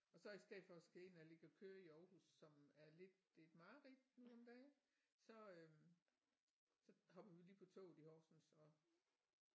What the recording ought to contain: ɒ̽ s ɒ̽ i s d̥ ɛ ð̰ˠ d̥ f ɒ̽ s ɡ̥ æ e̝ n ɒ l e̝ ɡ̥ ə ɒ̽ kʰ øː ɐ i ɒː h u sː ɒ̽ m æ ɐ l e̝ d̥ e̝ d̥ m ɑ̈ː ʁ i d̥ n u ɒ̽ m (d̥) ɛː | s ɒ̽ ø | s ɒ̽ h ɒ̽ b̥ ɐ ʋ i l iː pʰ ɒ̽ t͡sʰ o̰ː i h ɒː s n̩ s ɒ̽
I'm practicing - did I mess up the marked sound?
no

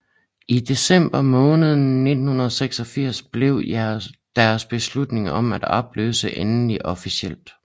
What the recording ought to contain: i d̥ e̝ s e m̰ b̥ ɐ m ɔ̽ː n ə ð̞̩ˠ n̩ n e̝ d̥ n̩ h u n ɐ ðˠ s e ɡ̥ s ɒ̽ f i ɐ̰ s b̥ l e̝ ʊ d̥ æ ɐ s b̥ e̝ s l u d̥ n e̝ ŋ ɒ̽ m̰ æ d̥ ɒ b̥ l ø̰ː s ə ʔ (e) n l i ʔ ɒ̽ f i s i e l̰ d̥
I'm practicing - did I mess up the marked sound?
no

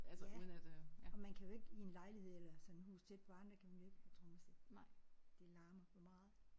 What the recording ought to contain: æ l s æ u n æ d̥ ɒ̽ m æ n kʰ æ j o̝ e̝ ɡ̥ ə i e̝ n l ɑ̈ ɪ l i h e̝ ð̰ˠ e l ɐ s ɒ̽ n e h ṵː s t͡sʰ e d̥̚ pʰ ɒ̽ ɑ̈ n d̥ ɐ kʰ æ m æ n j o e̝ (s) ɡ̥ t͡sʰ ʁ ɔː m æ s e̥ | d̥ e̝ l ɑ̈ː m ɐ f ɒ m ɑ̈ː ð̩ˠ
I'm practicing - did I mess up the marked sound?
yes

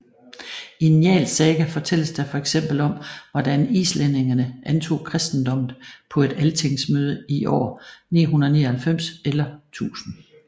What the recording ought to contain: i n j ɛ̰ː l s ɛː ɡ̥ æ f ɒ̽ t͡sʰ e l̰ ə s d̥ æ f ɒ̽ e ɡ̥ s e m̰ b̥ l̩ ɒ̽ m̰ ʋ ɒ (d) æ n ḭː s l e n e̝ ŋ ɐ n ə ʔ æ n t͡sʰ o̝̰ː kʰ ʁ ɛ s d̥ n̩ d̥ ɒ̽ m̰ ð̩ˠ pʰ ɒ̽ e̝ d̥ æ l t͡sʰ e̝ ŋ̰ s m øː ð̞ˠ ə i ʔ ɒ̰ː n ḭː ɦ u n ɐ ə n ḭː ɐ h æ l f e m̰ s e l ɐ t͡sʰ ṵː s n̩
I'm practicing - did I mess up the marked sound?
no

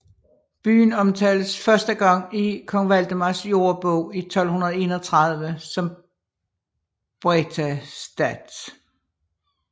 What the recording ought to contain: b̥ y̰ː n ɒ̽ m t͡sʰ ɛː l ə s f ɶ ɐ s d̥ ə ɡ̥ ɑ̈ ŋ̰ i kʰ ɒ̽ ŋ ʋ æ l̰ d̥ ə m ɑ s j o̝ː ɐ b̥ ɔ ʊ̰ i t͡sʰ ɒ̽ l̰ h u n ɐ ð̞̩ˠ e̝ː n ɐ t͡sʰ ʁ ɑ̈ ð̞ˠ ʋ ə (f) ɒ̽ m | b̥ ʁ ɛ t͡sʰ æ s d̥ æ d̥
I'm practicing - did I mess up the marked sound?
yes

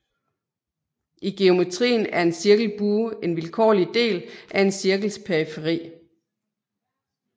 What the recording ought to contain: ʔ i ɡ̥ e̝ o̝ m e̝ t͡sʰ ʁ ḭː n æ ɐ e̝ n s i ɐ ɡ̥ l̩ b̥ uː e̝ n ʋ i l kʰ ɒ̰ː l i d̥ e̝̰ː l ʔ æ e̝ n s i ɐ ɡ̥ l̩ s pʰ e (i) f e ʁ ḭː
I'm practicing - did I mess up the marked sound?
no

